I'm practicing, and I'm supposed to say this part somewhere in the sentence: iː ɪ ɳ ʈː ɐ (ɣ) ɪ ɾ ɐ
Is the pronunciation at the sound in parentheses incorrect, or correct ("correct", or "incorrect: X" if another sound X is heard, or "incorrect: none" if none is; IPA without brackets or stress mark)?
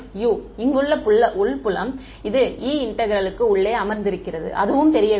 correct